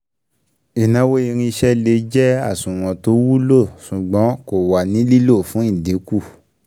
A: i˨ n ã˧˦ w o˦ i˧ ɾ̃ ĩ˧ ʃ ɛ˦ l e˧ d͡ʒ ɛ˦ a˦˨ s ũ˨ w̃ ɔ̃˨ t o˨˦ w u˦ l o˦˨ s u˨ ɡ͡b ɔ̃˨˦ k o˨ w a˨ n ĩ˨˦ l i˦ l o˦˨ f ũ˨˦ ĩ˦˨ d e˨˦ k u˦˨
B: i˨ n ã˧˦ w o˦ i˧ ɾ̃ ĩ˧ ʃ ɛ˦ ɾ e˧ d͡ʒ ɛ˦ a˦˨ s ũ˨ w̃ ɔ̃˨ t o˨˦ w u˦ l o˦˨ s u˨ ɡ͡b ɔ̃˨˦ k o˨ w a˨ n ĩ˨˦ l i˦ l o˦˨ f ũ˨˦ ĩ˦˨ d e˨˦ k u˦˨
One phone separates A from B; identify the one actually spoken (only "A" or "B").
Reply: A